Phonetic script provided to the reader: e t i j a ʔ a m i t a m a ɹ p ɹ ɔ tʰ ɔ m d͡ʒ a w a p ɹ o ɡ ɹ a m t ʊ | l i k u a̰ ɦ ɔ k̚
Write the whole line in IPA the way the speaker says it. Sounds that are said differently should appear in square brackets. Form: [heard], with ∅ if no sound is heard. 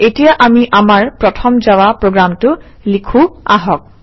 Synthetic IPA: e t i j a ʔ a m i [ʔ] a m a ɹ p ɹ ɔ tʰ ɔ m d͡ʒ a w a p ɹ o ɡ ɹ a m t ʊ | l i [kʰ] u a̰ ɦ ɔ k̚